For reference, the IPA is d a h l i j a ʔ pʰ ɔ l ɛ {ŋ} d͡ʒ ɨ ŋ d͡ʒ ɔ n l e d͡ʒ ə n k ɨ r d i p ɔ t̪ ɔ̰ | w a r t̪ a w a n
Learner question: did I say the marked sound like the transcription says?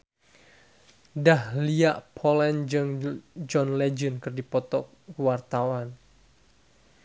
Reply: no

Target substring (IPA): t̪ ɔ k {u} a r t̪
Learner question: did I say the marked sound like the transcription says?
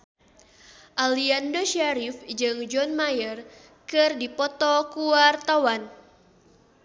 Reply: yes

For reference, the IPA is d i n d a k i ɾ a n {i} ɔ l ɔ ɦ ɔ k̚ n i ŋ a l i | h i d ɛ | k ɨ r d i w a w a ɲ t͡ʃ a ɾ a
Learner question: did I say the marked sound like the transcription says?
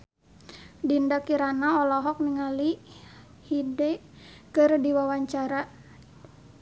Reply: no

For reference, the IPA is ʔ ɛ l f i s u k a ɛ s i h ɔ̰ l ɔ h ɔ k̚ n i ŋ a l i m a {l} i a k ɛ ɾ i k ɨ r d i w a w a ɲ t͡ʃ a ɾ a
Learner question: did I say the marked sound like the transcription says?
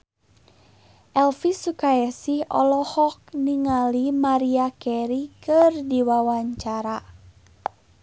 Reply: no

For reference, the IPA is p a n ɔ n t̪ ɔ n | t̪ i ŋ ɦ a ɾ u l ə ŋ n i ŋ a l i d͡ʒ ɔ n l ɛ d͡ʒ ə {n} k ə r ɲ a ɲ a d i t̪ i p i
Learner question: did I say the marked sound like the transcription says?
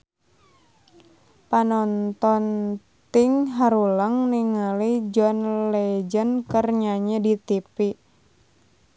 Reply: yes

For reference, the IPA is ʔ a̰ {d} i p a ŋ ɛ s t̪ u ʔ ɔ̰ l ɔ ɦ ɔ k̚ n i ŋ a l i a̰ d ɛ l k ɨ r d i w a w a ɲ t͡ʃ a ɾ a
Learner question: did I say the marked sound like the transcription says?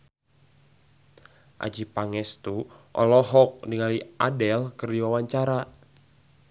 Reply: no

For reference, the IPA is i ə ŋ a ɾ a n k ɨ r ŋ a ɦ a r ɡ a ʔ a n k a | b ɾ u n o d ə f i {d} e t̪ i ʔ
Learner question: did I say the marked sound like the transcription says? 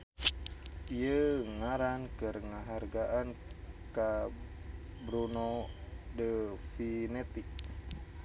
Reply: no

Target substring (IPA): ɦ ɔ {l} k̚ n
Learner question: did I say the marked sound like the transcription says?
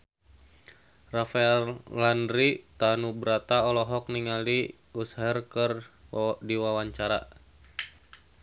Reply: no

